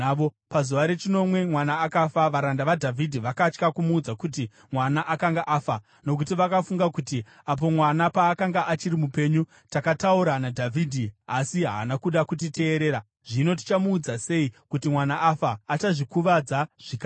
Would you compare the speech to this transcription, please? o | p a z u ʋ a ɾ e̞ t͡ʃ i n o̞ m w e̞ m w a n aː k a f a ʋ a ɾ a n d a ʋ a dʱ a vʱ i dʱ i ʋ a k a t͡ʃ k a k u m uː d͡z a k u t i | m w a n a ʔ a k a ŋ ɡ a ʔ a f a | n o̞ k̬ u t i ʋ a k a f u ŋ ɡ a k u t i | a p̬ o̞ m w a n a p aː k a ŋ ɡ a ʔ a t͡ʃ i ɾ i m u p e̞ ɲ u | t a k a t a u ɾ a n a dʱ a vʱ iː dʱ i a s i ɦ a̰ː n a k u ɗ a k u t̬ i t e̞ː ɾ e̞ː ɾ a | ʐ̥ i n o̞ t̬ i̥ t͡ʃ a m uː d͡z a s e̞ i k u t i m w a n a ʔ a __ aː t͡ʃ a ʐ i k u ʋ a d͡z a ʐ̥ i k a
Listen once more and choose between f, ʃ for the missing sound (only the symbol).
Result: f